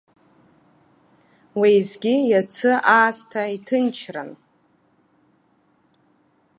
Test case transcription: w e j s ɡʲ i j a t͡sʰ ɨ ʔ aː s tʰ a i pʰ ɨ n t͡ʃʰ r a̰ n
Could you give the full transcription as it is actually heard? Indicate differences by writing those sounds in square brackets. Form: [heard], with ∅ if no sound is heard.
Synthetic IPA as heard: w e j [z] ɡʲ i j a t͡sʰ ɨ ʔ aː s tʰ a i [tʰ] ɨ n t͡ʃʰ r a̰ n